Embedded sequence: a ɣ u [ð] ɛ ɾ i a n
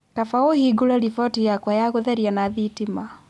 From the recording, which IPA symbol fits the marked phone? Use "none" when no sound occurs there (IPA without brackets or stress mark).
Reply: ð